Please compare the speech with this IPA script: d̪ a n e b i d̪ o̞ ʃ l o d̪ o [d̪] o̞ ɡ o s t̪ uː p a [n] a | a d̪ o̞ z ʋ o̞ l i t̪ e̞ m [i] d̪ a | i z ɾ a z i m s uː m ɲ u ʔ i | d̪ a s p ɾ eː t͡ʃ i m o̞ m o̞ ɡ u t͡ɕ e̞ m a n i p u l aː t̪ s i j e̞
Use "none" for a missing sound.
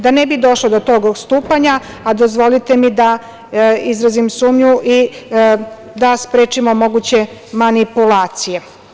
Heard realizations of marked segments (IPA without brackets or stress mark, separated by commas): t̪, ɲ, i